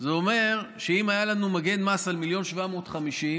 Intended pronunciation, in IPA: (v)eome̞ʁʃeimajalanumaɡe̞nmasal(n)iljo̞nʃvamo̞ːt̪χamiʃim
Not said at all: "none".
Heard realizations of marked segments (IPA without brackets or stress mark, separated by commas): z, m